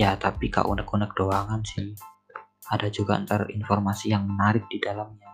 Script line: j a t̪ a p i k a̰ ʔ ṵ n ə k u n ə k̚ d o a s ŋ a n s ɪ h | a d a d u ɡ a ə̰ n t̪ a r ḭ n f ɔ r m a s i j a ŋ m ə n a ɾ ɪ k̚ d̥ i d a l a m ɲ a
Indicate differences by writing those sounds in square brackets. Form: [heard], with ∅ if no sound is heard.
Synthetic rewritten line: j a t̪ a p i k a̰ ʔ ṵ n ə k u n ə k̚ d o a [∅] ŋ a n s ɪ h | a d a [d͡ʒ] u ɡ a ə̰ n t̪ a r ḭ n f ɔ r m a s i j a ŋ m ə n a ɾ ɪ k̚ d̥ i d a l a m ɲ a